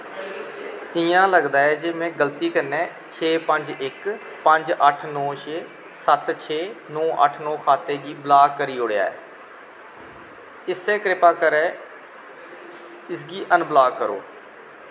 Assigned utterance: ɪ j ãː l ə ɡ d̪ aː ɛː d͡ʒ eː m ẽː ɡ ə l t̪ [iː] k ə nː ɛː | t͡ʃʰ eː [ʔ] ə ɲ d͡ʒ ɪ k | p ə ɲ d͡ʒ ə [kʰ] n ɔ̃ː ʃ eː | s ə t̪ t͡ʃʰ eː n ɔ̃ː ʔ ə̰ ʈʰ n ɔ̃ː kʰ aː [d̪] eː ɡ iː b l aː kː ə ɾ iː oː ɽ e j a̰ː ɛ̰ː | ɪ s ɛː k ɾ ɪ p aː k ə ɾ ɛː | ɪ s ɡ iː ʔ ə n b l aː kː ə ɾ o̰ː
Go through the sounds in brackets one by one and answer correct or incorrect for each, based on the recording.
correct, incorrect, incorrect, incorrect

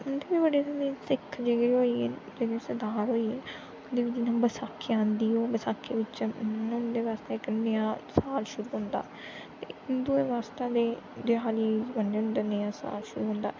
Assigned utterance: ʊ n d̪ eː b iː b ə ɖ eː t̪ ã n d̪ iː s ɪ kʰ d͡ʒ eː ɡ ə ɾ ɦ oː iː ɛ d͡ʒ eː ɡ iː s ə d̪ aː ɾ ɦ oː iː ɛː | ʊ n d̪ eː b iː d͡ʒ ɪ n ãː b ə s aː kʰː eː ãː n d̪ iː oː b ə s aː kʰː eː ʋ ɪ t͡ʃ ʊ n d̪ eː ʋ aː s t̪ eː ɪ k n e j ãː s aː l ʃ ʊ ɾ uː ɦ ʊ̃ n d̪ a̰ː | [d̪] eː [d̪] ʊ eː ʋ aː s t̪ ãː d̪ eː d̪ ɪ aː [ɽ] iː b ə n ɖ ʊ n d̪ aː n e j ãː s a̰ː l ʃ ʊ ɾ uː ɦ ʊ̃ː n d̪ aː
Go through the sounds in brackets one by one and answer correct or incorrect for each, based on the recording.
incorrect, correct, incorrect

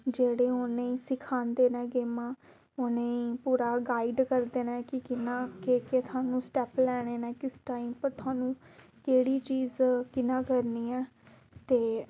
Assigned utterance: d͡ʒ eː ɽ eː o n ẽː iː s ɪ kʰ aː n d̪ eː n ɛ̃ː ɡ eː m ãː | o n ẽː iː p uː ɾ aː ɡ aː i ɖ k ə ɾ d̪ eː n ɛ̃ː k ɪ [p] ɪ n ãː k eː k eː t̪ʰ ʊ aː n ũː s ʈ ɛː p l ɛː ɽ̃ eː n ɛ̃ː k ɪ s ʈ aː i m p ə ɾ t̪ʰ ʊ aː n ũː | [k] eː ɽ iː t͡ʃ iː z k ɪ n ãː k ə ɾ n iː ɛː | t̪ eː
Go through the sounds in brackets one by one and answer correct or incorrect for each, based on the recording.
incorrect, correct

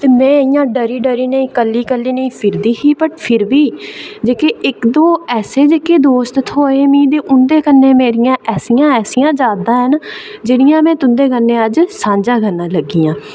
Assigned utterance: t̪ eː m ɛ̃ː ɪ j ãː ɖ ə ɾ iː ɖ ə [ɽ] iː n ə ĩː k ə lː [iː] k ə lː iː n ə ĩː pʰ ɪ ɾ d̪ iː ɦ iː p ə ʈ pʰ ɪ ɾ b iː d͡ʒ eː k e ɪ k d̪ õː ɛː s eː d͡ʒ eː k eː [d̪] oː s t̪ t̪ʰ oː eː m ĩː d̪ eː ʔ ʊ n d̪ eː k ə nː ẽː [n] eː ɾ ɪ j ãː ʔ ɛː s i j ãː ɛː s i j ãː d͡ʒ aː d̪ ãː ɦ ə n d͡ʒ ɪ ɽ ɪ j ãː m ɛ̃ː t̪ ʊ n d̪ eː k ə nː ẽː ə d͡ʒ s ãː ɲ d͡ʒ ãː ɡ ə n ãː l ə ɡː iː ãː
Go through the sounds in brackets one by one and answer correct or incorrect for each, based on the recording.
incorrect, correct, correct, incorrect

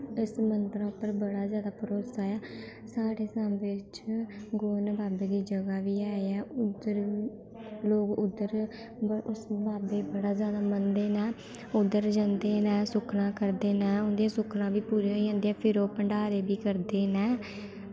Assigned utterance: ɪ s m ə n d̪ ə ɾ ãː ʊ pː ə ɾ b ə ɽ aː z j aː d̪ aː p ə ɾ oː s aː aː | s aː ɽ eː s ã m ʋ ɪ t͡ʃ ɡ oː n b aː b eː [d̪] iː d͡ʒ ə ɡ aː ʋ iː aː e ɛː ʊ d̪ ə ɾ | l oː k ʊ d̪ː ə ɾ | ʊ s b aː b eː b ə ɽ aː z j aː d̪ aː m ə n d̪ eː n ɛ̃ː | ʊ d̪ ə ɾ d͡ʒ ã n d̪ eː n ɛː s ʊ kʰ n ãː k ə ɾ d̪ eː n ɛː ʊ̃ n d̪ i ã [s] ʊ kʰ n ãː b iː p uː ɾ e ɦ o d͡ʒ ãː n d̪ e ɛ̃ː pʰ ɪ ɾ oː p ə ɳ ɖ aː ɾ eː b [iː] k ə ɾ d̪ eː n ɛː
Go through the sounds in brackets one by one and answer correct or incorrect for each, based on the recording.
correct, correct, correct

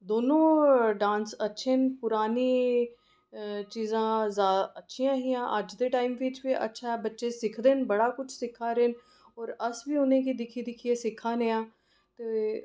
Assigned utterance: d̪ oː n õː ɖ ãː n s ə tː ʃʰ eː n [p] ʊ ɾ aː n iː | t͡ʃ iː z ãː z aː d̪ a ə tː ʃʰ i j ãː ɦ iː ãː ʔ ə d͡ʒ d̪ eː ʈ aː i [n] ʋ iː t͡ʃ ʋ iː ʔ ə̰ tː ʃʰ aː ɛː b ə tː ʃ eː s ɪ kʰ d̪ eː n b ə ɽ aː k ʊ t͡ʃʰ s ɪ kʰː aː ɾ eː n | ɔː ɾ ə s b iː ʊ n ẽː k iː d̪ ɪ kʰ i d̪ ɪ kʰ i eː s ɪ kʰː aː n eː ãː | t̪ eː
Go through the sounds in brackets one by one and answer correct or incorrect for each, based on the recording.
correct, incorrect

